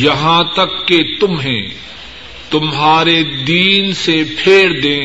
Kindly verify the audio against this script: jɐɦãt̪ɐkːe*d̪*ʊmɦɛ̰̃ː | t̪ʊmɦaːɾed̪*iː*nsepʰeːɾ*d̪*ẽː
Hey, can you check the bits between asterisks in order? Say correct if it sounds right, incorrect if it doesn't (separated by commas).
incorrect, correct, correct